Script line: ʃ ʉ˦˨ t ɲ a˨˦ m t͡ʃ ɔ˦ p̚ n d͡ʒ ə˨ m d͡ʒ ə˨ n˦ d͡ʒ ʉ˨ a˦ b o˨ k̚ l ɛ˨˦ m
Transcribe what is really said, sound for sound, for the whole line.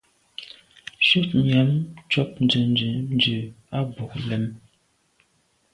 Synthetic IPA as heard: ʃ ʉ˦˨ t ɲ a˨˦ m t͡ʃ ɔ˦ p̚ n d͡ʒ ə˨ n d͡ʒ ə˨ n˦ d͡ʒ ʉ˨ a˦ b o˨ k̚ l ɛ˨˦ m